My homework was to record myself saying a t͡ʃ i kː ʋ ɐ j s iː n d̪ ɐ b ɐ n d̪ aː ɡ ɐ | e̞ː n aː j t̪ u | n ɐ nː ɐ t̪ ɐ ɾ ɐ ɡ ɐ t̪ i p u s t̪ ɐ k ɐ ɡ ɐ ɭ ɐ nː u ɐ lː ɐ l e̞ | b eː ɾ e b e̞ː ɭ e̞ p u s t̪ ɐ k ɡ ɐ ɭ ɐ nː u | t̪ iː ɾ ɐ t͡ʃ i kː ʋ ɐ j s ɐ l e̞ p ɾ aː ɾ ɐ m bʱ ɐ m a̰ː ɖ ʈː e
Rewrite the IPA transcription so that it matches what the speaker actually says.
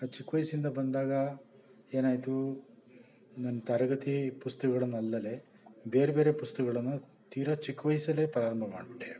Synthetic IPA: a t͡ʃ i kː ʋ ɐ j s i n d̪ ɐ b ɐ n d̪ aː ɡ ɐ | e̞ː n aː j t̪ u | n ɐ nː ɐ t̪ ɐ ɾ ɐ ɡ ɐ t̪ i p u s t̪ ɐ k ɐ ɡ ɐ ɭ ɐ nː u ɐ lː ɐ l e̞ | b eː ɾ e b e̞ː ɾ e̞ p u s t̪ ɐ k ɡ ɐ ɭ ɐ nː u | t̪ iː ɾ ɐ t͡ʃ i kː ʋ ɐ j s ɐ l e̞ p ɾ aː ɾ ɐ m bʱ ɐ m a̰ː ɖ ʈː e